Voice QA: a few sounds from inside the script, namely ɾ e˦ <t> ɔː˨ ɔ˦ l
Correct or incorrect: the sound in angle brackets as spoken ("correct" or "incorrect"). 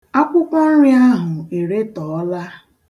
correct